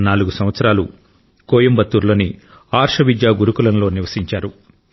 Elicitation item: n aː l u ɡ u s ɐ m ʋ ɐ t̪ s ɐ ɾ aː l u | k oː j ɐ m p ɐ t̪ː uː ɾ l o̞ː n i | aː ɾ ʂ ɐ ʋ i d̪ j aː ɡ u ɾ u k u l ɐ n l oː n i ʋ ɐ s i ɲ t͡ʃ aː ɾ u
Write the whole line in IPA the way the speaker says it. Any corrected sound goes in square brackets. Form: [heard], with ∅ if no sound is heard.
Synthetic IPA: n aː l u ɡ u s ɐ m ʋ ɐ t̪ s ɐ ɾ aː l u | k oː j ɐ m [b] ɐ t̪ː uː ɾ l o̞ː n i | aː ɾ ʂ ɐ ʋ i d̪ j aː ɡ u ɾ u k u l ɐ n l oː n i ʋ ɐ s i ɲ t͡ʃ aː ɾ u